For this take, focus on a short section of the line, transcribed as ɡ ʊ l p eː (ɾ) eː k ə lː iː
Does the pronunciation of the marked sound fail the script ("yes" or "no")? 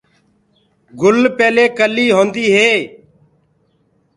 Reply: yes